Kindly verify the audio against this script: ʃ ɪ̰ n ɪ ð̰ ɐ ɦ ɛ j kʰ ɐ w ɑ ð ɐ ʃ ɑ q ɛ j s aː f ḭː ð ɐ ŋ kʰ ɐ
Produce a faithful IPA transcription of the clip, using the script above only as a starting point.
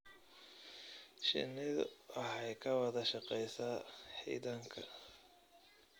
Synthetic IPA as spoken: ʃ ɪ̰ n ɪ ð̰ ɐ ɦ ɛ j kʰ ɐ w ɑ ð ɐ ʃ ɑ q ɛ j s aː ħ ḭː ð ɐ ŋ kʰ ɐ